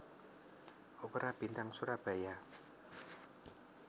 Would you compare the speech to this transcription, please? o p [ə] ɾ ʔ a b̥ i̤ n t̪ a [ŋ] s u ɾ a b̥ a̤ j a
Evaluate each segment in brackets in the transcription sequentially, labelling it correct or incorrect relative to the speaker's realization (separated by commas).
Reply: correct, correct